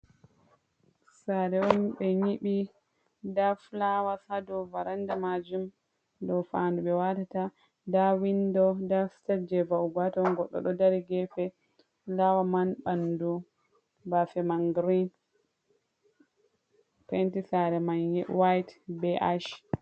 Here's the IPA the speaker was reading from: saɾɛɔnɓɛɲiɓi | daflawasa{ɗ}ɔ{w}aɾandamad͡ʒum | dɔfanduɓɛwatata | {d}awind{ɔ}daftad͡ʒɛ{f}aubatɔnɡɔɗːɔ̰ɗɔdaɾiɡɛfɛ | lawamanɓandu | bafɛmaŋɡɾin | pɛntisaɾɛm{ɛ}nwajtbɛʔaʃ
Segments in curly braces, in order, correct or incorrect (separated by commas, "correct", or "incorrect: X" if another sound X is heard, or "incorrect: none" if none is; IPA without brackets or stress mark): incorrect: d, incorrect: v, correct, correct, incorrect: v, incorrect: a